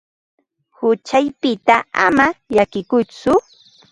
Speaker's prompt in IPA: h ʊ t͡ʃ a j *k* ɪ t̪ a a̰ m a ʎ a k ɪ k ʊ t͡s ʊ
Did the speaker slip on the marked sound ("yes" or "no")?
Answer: yes